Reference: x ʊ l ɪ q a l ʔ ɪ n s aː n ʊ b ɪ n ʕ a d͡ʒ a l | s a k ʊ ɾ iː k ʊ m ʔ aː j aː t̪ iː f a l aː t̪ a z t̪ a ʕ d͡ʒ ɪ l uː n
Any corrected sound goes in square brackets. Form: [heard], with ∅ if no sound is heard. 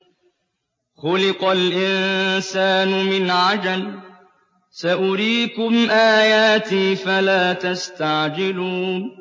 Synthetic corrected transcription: x ʊ l ɪ q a l ʔ ɪ n s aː n ʊ [m] ɪ n ʕ a d͡ʒ a l | s a [ʔ] ʊ ɾ iː k ʊ m ʔ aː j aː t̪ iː f a l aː t̪ a [s] t̪ a ʕ d͡ʒ ɪ l uː n